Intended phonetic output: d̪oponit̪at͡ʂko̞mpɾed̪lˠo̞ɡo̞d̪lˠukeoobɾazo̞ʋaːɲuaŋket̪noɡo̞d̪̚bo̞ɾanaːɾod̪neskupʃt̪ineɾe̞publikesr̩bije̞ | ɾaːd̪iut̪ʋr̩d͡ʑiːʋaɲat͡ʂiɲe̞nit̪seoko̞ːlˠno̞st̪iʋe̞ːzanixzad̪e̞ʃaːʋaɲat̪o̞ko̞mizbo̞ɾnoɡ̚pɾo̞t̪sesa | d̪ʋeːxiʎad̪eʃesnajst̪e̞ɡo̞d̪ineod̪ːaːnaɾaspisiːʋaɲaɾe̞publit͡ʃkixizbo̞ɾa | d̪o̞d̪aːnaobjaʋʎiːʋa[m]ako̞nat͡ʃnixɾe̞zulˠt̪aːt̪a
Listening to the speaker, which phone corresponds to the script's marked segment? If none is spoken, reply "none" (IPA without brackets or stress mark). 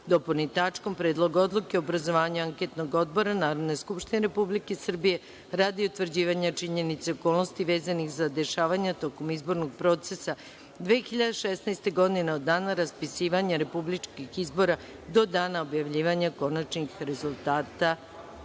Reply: ɲ